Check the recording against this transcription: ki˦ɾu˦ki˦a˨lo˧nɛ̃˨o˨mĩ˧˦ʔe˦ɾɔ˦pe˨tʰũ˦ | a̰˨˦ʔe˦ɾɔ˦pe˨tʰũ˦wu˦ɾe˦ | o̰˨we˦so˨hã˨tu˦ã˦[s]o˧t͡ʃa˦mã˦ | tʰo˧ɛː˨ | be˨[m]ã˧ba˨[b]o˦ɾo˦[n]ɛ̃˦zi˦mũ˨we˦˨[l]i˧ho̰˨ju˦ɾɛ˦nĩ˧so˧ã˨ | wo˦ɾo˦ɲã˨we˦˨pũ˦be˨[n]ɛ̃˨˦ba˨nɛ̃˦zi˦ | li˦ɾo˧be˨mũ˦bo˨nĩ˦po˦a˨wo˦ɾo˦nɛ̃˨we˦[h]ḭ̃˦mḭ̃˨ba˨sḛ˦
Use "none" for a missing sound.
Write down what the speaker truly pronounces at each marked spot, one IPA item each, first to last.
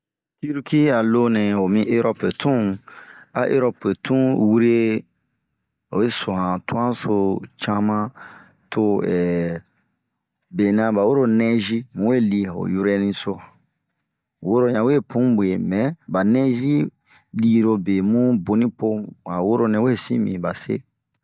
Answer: s, n, w, n, l, m, s

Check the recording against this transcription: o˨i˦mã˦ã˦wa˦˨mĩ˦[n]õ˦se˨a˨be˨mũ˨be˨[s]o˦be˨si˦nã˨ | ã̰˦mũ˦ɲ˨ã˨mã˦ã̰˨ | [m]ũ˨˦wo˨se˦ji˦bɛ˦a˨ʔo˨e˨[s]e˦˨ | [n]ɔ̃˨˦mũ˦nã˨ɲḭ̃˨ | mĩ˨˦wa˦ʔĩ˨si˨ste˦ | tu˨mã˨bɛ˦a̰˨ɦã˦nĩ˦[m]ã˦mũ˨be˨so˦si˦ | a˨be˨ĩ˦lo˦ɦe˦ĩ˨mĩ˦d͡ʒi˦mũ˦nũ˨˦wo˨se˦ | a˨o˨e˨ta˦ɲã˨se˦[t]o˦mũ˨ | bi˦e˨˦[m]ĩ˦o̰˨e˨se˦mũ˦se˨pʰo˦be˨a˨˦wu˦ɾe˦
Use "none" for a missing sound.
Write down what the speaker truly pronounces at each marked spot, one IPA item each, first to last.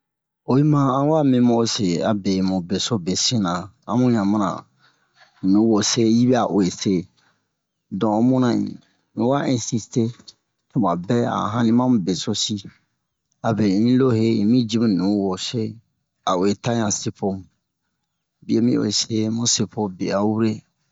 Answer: m, s, n, s, d, m, p, m

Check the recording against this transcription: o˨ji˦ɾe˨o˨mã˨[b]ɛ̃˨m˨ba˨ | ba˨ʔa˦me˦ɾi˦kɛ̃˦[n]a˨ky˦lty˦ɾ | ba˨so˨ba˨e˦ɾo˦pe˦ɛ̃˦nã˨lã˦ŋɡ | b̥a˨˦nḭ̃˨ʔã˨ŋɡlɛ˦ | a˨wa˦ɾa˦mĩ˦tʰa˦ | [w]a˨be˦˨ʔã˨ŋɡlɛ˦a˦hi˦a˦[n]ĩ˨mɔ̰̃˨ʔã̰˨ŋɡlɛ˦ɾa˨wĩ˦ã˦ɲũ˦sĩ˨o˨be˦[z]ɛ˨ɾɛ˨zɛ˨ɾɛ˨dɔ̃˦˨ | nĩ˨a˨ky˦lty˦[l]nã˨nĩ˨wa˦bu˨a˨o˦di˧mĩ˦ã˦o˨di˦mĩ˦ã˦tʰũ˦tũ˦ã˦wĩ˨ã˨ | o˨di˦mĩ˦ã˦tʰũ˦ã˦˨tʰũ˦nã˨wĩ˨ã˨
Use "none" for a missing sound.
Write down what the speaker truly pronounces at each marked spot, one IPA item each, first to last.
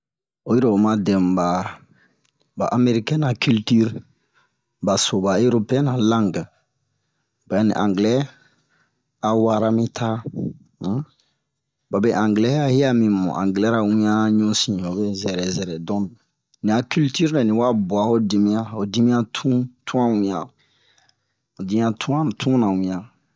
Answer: d, n, b, m, z, ɾ

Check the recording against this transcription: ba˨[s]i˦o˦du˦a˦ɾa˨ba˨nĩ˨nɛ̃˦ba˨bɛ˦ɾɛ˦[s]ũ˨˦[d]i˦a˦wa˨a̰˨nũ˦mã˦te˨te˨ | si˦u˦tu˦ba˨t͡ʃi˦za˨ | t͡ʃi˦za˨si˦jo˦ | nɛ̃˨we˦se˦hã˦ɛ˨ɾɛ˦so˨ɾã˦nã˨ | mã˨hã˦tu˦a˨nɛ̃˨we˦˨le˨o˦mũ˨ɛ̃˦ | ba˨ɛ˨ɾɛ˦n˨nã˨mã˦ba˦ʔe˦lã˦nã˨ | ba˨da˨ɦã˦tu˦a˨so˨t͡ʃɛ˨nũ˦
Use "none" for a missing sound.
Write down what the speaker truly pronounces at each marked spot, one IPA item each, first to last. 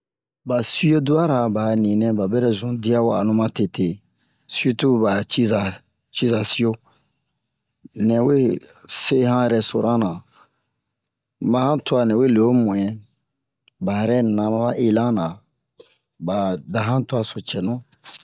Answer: s, z, d

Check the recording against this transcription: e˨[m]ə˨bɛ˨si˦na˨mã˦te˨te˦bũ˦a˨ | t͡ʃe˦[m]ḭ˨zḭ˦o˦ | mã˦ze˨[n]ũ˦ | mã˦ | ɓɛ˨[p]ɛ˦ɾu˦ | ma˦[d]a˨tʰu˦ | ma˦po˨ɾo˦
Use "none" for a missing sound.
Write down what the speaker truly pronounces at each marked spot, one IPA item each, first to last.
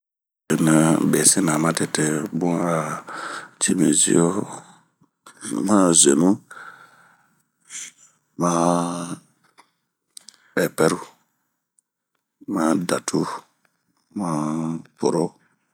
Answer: n, m, n, p, d

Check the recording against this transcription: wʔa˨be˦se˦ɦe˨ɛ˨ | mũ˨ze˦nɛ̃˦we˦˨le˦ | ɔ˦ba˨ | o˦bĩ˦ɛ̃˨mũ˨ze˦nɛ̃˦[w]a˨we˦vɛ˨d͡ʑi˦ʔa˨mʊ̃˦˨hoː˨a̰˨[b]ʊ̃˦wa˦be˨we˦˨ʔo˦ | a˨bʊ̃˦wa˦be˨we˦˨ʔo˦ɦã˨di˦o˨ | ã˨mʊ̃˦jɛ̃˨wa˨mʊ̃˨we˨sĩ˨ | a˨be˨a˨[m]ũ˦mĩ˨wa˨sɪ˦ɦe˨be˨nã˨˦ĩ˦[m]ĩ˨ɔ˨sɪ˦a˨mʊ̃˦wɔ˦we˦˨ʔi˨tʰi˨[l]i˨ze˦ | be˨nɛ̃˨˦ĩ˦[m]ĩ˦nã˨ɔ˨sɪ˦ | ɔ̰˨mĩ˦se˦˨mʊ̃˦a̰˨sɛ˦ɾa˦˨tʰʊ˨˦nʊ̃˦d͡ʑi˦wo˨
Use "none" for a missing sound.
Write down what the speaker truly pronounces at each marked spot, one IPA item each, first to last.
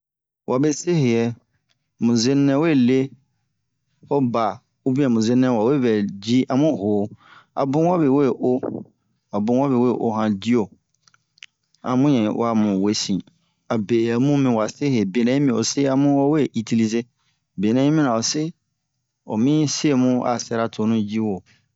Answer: w, b, m, m, l, m

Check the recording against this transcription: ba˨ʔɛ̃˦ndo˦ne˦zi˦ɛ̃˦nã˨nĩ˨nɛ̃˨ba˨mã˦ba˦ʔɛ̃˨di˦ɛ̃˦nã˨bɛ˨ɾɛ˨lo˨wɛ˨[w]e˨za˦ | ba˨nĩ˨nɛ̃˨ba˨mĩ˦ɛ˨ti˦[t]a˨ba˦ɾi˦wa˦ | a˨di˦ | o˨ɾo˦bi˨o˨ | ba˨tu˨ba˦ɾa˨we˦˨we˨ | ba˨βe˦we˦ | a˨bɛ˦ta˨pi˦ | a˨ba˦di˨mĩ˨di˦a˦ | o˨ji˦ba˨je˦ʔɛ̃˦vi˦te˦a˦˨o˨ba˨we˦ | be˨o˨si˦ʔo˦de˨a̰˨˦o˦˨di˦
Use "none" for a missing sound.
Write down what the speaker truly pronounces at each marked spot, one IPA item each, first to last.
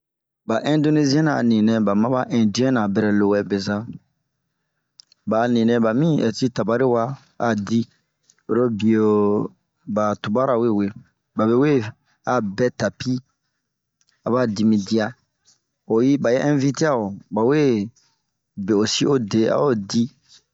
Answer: b, t

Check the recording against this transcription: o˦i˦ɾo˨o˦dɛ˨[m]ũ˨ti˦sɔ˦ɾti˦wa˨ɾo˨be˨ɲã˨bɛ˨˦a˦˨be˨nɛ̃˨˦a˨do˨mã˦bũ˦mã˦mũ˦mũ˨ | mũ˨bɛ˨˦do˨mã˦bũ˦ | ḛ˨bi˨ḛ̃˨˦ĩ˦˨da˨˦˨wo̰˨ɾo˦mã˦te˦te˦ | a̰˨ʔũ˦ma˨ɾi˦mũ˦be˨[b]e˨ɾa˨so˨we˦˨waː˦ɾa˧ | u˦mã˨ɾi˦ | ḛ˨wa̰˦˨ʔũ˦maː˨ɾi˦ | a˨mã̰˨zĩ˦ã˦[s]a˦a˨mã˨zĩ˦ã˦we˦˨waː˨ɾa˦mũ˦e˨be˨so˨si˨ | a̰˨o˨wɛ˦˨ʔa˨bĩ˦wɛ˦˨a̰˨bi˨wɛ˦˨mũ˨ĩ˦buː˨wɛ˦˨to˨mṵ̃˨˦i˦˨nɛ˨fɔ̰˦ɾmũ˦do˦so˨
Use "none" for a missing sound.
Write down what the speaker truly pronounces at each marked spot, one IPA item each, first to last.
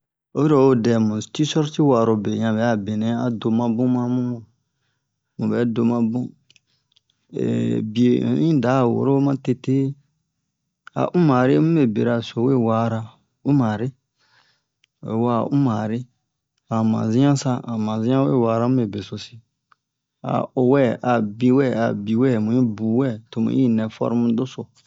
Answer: m, b, s

